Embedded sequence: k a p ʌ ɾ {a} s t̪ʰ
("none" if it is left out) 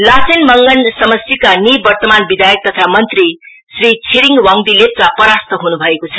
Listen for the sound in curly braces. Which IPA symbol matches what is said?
a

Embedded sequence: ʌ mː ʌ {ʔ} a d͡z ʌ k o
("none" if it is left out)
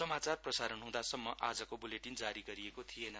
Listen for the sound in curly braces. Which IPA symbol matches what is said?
ʔ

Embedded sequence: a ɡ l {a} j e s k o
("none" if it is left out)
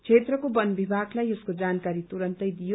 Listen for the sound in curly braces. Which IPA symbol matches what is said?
a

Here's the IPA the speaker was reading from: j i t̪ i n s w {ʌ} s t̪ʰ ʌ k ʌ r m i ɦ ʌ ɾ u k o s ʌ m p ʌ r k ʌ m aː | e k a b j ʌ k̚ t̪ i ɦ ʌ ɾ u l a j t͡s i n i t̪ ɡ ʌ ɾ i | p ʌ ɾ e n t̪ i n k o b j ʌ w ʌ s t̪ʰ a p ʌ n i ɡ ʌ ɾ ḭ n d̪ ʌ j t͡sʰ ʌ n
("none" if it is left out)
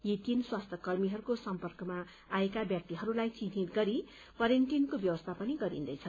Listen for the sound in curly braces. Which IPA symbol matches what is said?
a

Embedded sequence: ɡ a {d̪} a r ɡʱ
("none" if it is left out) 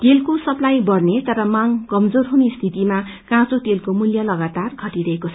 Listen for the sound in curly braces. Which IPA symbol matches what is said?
t̪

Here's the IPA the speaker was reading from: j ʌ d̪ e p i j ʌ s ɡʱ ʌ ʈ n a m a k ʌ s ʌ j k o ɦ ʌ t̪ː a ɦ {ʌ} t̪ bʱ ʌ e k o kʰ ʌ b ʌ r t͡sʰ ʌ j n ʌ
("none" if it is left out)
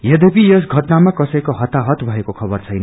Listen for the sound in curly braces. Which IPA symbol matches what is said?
ʌ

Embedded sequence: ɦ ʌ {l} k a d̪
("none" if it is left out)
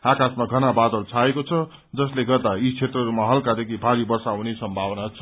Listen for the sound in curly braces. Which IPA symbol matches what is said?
l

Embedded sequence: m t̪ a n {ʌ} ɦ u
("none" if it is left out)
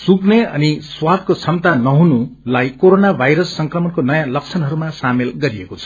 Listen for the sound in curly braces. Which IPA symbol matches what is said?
ʌ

